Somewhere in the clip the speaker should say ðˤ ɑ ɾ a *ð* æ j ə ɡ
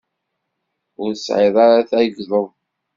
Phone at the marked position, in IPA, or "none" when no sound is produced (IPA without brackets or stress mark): θ